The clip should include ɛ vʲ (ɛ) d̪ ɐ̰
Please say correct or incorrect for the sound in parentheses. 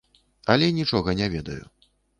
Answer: correct